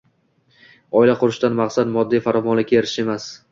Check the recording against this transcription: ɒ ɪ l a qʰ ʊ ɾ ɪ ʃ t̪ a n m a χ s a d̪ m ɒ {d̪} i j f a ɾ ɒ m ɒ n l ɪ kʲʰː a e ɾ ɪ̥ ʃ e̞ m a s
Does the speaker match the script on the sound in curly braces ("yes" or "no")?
no